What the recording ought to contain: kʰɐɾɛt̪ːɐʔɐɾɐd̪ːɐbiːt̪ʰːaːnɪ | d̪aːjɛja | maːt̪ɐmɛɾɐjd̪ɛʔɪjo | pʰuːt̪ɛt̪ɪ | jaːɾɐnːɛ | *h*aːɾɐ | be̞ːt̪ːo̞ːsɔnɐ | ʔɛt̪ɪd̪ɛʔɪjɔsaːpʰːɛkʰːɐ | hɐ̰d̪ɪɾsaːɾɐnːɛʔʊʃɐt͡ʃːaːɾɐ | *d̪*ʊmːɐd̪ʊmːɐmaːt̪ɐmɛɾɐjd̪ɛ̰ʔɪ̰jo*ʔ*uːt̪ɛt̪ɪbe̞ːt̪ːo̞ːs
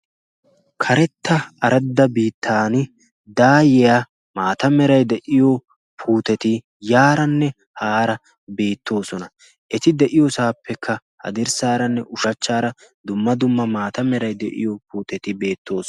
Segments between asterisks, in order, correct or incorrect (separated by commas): correct, correct, incorrect